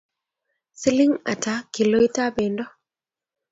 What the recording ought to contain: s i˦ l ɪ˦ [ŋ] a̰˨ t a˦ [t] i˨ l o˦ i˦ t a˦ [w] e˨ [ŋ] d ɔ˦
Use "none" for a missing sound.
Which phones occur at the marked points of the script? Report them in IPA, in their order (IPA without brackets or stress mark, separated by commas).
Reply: ŋ, k, b, n